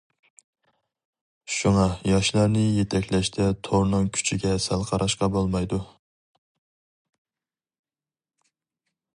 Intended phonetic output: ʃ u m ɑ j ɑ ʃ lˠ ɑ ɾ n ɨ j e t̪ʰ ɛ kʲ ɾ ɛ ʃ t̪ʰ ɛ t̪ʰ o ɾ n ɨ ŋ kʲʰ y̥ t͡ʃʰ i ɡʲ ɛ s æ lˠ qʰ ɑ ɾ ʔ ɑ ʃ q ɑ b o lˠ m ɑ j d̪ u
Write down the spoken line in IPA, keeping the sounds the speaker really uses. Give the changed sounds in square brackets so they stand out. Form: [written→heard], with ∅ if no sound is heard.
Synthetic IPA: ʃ u [m→ŋ] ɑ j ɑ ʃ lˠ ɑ ɾ n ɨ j e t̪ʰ ɛ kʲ [ɾ→l] ɛ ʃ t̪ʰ ɛ t̪ʰ o ɾ n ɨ ŋ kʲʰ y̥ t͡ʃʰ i ɡʲ ɛ s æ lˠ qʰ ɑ ɾ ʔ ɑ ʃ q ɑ b o lˠ m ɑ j d̪ u